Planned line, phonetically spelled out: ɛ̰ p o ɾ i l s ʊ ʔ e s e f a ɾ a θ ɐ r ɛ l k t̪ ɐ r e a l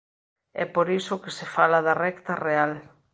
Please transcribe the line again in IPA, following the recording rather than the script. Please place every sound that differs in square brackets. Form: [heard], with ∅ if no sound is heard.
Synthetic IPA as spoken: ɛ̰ p o ɾ i [∅] s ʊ [k] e s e f a [l] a [ð] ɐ r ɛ [∅] k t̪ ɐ r e a l